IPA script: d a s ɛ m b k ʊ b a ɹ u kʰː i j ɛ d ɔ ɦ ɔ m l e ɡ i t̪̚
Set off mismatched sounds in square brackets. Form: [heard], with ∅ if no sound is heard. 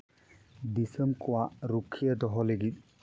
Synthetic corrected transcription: d [i] s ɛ m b k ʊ [w] a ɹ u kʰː i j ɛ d ɔ ɦ ɔ [∅] l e ɡ i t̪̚